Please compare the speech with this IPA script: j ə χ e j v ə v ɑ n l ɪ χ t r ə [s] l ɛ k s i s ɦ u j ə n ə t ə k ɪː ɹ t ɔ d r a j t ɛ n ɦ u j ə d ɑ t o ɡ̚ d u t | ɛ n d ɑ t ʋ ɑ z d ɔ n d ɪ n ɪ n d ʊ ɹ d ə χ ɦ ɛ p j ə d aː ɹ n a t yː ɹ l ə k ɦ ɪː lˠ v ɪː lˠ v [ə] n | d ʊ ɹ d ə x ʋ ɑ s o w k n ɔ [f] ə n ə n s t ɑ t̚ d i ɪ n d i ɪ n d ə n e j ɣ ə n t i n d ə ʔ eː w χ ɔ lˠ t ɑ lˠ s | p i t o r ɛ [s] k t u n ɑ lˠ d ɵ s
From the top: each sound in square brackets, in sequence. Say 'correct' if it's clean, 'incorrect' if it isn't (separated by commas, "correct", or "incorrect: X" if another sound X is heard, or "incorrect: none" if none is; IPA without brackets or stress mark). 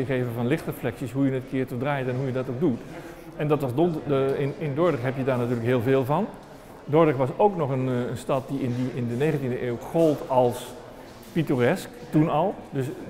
incorrect: f, incorrect: ɑ, incorrect: χ, correct